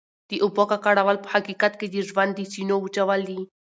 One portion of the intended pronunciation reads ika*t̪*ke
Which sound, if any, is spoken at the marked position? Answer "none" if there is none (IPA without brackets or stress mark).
t̪